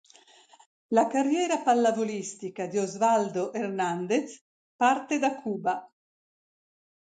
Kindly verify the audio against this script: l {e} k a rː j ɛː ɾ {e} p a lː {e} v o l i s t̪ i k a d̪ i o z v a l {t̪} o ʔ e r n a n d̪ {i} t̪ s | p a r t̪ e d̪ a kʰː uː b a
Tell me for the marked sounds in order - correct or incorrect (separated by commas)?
incorrect, incorrect, incorrect, incorrect, incorrect